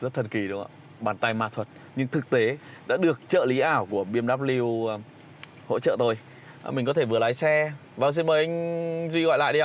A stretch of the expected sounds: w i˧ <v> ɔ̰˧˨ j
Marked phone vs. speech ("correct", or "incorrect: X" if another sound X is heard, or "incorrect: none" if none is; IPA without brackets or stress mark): incorrect: ɣ